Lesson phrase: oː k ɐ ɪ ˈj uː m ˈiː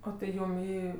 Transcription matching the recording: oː t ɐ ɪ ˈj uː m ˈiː